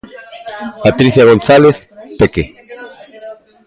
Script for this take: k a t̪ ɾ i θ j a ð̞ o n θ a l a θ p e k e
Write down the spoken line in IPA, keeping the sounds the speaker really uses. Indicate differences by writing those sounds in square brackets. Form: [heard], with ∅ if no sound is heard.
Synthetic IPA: [p] a t̪ ɾ i θ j a [ɣ̞] o n θ a l [e] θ p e k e